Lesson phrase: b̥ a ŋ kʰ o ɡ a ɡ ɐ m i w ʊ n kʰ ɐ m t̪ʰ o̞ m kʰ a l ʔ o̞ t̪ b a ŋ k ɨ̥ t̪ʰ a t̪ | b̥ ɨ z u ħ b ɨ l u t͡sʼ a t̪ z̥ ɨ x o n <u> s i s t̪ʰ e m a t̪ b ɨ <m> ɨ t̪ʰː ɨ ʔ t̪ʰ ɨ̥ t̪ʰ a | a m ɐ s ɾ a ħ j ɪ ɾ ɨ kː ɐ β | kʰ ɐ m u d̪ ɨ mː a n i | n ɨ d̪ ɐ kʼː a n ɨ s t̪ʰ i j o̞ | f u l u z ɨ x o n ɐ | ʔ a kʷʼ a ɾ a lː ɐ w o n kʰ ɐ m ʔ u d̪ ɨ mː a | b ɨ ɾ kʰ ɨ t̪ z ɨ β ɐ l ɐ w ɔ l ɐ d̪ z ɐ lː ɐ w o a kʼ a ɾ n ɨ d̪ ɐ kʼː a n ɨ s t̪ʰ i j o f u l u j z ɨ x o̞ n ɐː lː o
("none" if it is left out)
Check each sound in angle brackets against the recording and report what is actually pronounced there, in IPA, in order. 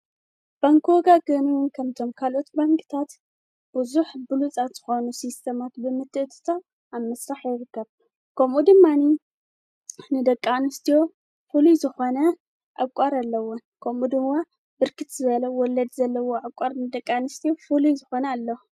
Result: u, m

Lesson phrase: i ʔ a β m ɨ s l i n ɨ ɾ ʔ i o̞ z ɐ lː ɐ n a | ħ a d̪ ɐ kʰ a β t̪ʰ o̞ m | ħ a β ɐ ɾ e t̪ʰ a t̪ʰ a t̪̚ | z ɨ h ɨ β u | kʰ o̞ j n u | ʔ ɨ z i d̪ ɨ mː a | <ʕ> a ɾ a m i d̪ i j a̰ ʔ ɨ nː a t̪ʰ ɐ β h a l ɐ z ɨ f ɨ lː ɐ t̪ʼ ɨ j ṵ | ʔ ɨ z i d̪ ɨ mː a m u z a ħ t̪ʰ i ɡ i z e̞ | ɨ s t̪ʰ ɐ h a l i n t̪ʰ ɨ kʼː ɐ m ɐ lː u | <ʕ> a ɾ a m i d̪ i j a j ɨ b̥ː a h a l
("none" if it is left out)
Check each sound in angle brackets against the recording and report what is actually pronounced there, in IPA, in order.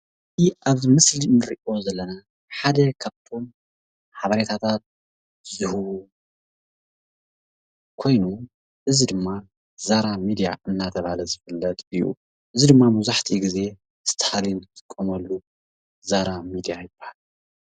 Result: z, z

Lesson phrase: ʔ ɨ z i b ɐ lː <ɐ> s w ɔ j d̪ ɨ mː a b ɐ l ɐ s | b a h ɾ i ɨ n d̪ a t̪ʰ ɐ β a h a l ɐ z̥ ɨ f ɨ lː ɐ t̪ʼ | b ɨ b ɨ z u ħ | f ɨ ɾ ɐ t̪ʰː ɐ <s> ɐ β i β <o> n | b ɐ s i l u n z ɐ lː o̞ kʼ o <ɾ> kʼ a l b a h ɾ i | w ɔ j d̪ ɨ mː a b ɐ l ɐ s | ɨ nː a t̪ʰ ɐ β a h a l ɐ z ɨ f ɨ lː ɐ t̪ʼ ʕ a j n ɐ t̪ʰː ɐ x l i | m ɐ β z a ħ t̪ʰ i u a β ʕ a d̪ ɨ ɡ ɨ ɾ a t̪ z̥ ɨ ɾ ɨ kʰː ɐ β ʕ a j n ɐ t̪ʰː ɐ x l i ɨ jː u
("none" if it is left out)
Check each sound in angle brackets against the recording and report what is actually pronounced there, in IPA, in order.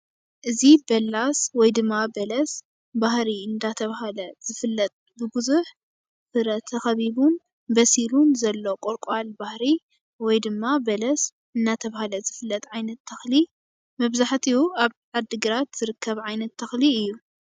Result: a, x, u, ɾ

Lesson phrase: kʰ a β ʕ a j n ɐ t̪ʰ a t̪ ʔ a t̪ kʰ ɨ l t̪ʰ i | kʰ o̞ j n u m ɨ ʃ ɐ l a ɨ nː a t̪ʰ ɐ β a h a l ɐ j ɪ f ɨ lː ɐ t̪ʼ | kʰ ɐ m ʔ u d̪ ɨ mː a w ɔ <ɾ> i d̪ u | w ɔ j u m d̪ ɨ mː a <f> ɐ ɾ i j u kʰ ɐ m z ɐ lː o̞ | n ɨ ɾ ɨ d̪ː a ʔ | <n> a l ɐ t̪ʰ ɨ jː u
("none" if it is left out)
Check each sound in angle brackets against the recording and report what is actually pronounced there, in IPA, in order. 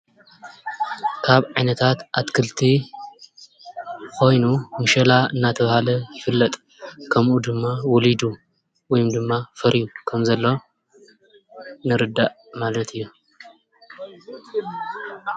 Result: l, f, m

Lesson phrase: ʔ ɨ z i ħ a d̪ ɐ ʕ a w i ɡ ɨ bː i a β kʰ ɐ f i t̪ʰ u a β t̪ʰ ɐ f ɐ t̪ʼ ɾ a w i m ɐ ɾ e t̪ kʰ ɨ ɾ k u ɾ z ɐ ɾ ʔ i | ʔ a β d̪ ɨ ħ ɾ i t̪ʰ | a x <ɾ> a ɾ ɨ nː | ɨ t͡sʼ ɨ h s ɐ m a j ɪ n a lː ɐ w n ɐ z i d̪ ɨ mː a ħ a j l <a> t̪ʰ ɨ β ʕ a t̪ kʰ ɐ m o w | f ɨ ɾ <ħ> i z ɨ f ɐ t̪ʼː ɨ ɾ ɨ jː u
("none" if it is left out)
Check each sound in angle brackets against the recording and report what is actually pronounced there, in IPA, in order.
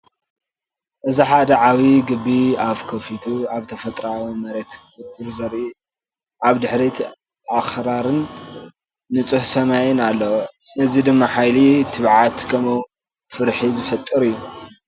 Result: ɾ, i, ħ

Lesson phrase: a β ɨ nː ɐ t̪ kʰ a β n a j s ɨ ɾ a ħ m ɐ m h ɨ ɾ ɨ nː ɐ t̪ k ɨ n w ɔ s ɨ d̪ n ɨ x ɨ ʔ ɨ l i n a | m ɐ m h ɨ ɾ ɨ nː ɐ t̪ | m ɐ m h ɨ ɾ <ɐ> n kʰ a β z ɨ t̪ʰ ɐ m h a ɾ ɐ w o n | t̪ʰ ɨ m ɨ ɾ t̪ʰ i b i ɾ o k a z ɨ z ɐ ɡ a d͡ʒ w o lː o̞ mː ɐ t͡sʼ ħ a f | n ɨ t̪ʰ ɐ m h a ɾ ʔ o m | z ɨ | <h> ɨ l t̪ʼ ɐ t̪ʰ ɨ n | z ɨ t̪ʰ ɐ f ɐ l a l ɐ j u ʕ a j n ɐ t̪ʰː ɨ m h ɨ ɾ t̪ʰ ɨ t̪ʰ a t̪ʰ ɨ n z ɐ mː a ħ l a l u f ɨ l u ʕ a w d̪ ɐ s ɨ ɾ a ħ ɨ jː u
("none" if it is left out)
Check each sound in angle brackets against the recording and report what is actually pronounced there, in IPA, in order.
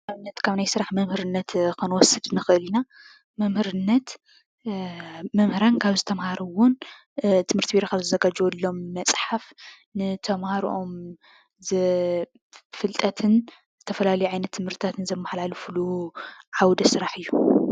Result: a, f

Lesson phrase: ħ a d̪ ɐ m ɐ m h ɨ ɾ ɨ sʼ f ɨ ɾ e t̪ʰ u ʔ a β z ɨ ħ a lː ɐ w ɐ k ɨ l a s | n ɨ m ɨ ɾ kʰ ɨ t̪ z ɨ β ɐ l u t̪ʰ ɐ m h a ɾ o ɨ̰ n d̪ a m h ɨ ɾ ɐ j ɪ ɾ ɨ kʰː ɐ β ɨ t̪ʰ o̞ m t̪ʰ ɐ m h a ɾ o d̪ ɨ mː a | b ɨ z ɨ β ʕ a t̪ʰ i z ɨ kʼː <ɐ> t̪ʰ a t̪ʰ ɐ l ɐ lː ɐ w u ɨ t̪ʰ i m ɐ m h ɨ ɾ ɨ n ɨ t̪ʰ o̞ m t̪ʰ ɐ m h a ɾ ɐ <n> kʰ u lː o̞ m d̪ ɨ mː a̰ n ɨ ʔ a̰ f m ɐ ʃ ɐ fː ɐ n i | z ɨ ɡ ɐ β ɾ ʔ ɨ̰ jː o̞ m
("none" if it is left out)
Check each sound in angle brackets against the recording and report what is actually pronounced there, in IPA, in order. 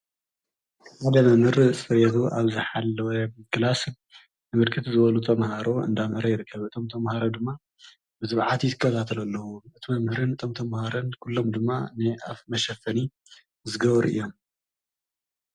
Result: ɐ, n

